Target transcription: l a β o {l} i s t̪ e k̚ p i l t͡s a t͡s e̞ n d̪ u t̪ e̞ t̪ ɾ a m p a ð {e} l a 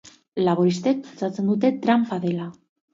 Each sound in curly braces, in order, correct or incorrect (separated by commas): incorrect, correct